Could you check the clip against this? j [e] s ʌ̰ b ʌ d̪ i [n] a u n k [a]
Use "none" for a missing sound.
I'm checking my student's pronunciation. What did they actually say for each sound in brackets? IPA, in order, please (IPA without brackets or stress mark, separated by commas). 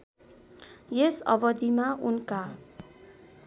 e, m, a